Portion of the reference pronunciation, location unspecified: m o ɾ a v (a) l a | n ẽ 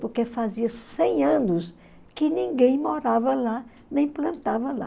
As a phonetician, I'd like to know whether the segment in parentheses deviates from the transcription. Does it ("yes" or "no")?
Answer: yes